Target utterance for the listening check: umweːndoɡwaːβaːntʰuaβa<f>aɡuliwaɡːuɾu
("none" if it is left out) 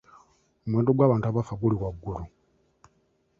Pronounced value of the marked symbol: f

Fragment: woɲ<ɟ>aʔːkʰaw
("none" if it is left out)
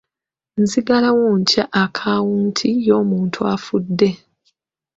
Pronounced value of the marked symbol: c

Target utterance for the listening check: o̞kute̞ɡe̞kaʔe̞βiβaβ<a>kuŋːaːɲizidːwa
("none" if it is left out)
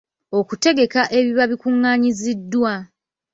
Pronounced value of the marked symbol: i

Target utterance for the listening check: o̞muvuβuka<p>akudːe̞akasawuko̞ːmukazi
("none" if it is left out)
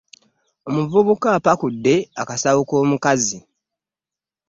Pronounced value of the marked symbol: p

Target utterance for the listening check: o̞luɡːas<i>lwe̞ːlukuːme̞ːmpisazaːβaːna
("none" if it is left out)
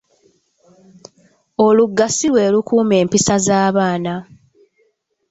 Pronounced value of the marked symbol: i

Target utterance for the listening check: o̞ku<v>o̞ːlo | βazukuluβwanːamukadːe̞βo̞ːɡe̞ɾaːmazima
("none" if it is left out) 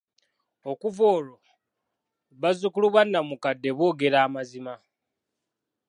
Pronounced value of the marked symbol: v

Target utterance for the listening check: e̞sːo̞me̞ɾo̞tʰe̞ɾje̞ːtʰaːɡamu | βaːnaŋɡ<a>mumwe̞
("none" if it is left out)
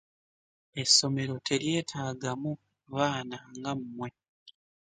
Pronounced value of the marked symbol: a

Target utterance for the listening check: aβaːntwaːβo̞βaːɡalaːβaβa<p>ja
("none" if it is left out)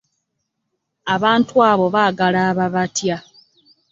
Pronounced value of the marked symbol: t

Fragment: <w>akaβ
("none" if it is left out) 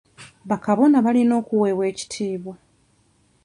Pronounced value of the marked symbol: β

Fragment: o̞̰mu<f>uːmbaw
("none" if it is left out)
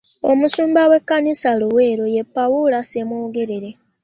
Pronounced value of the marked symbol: s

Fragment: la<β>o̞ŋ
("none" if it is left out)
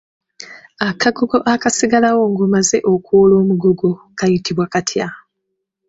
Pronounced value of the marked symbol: w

